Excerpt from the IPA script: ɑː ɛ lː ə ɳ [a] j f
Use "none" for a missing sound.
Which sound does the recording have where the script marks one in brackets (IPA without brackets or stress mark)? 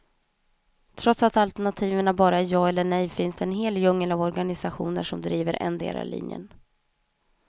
ɛ